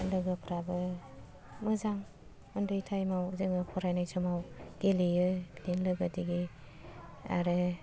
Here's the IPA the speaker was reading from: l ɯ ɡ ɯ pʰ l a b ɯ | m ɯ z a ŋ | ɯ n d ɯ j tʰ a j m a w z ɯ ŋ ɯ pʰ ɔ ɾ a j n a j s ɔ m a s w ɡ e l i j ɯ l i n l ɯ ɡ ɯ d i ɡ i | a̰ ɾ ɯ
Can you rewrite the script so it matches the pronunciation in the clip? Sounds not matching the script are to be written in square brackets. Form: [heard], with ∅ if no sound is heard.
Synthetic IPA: l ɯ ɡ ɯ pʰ [ɾ] a b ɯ | m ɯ z a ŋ | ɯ n d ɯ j tʰ a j m a w z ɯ ŋ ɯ pʰ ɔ ɾ a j n a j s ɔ m a [∅] w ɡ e l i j ɯ l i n l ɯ ɡ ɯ d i ɡ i | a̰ ɾ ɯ

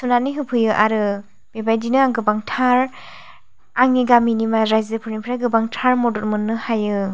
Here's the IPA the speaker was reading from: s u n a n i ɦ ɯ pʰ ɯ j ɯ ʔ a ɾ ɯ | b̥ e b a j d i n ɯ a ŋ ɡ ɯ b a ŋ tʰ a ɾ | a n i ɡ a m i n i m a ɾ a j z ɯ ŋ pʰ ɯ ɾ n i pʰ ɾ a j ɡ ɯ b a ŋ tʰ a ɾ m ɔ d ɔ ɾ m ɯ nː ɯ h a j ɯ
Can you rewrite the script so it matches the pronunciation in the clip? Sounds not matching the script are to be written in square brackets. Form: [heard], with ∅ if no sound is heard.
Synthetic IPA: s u n a n i ɦ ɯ pʰ ɯ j ɯ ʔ a ɾ ɯ | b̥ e b a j d i n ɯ a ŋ ɡ ɯ b a ŋ tʰ a ɾ | a [ŋ] i ɡ a m i n i m a ɾ a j z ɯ [∅] pʰ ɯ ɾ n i pʰ ɾ a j ɡ ɯ b a ŋ tʰ a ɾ m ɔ d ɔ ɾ m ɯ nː ɯ h a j ɯ

